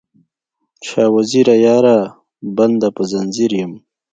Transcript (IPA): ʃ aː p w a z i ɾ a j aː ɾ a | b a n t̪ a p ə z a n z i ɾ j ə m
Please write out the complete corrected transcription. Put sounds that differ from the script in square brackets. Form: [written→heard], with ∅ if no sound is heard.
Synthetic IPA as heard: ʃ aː [p→∅] w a z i ɾ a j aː ɾ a | b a n [t̪→d̪] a p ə z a n z i ɾ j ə m